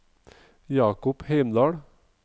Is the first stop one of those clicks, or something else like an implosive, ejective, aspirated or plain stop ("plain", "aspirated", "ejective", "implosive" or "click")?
plain